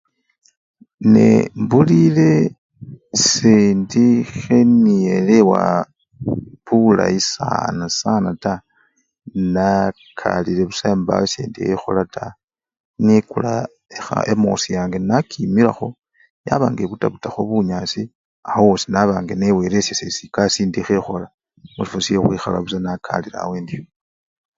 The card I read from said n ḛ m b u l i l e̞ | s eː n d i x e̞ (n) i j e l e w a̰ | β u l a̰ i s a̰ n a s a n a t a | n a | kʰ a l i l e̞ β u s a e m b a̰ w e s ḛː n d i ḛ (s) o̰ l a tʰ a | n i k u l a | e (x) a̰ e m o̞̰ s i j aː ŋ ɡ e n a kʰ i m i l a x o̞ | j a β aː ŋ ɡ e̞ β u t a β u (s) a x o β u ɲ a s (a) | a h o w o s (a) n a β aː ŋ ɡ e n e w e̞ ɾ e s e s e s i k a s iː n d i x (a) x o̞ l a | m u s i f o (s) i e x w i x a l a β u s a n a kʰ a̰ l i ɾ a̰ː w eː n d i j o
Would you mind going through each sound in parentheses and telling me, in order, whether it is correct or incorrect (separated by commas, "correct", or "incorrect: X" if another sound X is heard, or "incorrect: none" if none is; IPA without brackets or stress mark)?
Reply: correct, incorrect: x, correct, incorrect: t, incorrect: i, incorrect: i, incorrect: e, correct